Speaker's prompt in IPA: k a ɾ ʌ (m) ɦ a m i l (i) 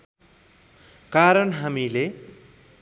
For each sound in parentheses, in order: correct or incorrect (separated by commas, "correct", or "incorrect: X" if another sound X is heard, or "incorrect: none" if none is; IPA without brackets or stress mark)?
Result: incorrect: n, incorrect: e